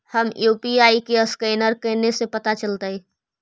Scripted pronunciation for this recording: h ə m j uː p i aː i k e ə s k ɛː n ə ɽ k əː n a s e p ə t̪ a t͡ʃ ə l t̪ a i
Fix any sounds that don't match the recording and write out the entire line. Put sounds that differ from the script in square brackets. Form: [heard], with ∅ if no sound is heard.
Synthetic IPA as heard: h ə m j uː p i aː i k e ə s k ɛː n ə [ɾ] k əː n [e] s e p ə t̪ a t͡ʃ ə l t̪ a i